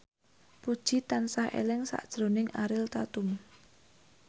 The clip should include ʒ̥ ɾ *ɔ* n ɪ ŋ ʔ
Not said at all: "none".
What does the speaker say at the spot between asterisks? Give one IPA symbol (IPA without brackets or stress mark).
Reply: o